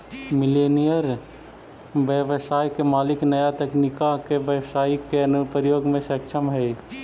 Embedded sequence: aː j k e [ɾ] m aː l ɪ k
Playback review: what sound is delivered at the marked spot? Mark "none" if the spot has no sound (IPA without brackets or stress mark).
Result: none